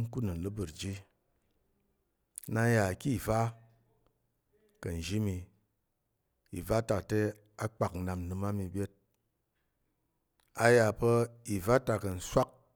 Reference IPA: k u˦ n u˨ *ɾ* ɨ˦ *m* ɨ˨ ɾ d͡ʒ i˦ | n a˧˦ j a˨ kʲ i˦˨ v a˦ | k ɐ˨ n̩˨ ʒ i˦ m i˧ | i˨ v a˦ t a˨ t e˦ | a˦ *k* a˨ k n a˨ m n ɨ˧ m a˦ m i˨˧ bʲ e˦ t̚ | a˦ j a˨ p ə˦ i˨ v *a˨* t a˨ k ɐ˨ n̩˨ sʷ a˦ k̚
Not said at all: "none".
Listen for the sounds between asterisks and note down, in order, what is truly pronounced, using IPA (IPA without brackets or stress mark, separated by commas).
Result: l, b, k͡p, a˦